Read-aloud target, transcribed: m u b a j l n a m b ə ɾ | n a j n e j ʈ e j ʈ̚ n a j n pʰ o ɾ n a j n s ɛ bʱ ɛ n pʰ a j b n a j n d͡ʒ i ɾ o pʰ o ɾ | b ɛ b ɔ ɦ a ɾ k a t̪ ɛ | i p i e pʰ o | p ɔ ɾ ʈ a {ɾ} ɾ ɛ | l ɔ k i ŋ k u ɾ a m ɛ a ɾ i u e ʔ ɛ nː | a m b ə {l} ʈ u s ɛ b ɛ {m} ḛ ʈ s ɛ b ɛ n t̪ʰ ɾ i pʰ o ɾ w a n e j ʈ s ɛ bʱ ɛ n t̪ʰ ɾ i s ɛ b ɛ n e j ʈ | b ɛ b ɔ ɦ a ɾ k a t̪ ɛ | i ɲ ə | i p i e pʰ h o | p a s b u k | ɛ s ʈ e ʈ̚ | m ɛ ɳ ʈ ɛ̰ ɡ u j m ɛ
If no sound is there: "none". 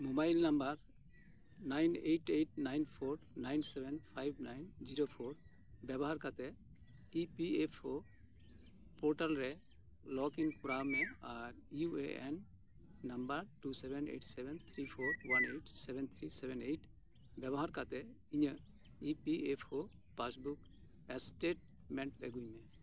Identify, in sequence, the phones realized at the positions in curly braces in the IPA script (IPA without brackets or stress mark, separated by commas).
l, ɾ, n